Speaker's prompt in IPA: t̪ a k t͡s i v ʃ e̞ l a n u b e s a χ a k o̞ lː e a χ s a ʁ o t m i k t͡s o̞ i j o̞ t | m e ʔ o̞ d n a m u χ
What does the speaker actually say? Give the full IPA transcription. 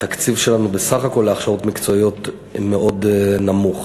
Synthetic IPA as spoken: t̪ a k t͡s i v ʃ e̞ l a n u b e s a χ a k o̞ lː e a χ ʃ a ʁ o t m i k t͡s o̞ i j o̞ t | m e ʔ o̞ d n a m u χ